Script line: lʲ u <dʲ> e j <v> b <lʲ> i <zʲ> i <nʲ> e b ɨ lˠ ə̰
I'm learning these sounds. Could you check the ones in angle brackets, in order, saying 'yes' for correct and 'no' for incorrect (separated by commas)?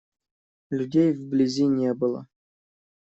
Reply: yes, yes, yes, yes, yes